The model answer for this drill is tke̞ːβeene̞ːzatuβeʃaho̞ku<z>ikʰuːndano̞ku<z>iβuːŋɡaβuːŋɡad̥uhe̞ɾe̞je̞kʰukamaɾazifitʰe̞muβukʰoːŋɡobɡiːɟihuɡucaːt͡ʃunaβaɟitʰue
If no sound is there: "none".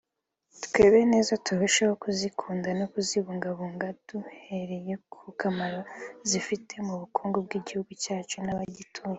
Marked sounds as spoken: z, z

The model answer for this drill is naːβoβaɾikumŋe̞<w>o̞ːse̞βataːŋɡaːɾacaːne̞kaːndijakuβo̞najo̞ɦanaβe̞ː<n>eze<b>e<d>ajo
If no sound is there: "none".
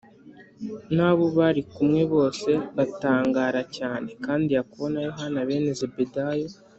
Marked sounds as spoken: β, n, b, d

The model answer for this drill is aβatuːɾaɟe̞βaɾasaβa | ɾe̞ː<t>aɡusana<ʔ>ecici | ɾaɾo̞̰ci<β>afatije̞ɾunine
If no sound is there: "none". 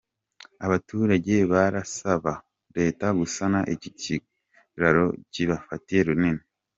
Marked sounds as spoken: t, ʔ, β

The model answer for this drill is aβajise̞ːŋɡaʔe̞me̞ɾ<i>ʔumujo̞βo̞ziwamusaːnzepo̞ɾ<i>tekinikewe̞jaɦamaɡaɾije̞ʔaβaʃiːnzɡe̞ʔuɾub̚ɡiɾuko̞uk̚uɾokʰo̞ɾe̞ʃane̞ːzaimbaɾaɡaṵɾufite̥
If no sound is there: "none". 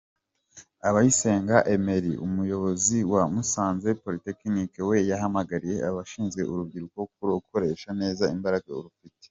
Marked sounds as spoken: i, i

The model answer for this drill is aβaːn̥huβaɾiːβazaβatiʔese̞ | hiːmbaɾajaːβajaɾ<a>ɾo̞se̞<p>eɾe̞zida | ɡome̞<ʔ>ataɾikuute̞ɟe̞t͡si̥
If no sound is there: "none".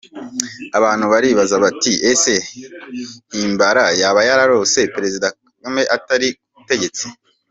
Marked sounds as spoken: a, p, ʔ

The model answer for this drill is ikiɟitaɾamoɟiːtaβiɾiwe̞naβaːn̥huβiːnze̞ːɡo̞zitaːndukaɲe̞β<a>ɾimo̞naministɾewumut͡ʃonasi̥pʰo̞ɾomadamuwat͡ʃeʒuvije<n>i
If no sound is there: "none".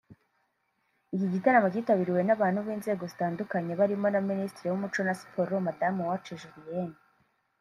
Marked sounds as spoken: a, n

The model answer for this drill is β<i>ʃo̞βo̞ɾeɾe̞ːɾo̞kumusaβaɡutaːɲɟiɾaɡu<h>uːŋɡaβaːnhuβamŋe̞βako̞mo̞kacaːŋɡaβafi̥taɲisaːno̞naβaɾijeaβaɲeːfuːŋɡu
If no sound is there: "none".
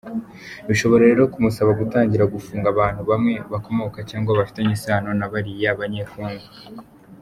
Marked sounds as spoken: i, f

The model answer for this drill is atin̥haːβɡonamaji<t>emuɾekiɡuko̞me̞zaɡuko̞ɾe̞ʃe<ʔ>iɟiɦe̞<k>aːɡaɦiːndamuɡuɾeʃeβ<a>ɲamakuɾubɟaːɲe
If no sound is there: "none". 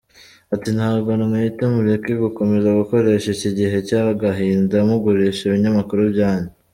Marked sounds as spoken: t, c, c, i

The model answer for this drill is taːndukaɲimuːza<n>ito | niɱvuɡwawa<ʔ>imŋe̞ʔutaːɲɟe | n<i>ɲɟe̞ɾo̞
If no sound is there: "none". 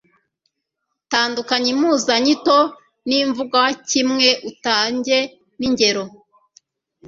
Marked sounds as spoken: ɲ, c, i

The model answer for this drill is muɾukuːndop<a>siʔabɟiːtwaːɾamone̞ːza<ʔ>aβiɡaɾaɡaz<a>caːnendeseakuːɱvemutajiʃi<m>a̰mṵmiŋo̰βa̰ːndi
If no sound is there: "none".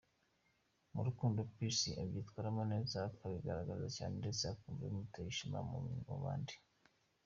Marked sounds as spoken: i, k, a, m

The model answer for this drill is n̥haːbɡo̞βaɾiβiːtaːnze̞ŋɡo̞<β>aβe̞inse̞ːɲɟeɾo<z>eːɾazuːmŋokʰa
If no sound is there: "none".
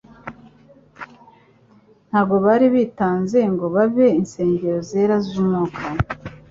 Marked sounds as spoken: β, z

